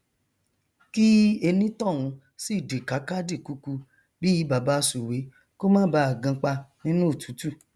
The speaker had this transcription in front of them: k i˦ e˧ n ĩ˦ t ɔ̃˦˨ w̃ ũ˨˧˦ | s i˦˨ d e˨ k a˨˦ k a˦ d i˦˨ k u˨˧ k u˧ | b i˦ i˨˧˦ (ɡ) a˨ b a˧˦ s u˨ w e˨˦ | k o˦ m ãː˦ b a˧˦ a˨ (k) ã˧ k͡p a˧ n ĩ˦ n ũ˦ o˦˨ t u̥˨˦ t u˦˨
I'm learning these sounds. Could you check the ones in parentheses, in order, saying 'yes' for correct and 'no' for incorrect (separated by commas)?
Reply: no, no